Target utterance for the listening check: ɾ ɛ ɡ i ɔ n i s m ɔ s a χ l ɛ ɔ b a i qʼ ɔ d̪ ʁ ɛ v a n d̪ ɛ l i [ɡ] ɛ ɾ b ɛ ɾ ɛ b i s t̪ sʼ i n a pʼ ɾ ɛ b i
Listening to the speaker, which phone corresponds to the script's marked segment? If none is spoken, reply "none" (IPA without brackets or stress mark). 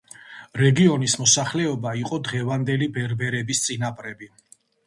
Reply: b